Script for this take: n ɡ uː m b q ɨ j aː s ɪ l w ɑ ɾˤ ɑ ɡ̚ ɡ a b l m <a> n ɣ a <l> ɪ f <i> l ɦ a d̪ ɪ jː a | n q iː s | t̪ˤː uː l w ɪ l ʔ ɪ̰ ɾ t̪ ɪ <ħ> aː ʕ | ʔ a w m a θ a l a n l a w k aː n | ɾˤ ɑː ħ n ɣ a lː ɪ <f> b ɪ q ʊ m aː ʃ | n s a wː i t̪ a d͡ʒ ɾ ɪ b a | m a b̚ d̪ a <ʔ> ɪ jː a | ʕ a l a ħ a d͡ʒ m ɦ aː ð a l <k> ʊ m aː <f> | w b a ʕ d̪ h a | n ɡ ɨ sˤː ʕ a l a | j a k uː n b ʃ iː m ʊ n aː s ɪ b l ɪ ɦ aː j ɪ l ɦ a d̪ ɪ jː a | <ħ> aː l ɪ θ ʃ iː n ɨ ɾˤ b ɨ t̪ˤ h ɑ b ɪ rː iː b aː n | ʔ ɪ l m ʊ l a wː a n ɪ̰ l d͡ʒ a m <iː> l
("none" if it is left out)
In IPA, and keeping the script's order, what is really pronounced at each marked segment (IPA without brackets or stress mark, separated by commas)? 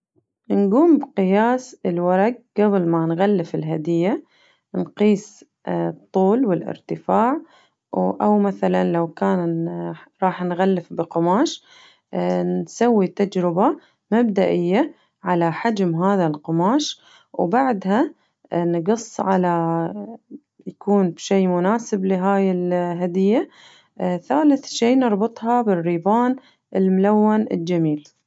a, lː, ɪ, f, f, ʔ, q, ʃ, θ, iː